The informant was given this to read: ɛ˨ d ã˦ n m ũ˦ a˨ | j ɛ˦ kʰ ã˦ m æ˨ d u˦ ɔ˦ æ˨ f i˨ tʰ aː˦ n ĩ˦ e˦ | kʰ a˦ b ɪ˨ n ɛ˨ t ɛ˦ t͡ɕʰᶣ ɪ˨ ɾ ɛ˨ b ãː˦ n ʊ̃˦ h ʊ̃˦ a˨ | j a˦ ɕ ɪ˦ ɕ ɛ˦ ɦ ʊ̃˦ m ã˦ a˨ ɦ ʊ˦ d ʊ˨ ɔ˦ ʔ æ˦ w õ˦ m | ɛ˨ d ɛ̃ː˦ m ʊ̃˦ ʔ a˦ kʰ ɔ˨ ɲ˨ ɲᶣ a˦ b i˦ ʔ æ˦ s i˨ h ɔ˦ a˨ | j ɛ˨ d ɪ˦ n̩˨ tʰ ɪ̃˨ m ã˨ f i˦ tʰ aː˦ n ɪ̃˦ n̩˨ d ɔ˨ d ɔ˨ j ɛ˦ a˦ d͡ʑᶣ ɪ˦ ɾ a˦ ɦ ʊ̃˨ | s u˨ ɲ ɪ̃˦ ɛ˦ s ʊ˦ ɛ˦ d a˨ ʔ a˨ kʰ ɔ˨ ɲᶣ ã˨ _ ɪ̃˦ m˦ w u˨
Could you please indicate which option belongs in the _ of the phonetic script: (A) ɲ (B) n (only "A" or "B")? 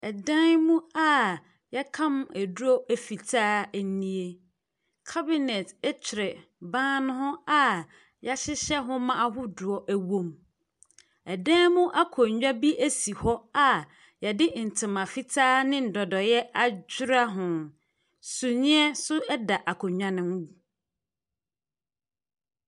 B